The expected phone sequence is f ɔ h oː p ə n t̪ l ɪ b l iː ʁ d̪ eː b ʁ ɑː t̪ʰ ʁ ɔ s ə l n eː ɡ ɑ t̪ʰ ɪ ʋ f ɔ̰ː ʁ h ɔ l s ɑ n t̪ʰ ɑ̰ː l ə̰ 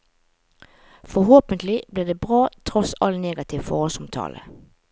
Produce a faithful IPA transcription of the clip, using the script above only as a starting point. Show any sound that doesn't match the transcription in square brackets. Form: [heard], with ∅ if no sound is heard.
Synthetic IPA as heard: f ɔ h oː p ə n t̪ l ɪ b l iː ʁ d̪ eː b ʁ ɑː t̪ʰ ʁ ɔ s [ɑ] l n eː ɡ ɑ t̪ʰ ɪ ʋ f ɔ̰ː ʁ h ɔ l s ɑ [m] t̪ʰ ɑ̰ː l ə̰